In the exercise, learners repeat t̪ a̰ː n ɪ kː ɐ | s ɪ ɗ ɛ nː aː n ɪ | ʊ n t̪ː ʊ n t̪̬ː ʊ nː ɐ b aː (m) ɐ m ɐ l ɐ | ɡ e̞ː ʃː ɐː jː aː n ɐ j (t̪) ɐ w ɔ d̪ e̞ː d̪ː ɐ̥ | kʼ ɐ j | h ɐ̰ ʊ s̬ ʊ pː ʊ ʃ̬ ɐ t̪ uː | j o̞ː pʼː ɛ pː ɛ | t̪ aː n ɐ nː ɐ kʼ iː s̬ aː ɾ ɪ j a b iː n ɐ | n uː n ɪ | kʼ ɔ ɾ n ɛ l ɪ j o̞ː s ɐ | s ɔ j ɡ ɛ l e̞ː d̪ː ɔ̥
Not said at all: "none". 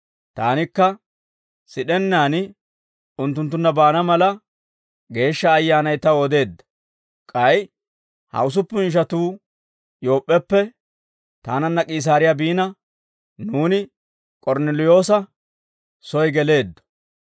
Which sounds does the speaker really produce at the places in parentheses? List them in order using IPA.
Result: n, t̪

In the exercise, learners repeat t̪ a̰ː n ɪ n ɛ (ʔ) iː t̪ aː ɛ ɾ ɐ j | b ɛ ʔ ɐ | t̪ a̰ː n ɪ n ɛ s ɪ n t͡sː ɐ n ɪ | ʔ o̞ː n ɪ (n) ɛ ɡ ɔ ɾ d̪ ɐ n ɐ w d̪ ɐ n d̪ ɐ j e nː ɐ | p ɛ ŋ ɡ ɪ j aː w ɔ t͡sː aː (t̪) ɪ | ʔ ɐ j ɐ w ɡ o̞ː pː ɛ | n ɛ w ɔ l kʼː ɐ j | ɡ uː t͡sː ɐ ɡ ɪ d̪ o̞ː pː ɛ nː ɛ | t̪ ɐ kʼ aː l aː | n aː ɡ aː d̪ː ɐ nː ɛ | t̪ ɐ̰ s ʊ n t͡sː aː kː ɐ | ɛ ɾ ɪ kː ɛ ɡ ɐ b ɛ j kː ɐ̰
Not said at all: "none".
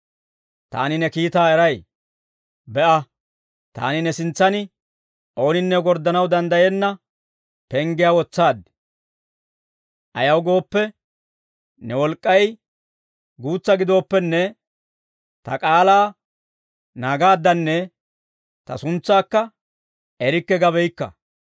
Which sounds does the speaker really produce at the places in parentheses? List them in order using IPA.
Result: k, nː, d̪

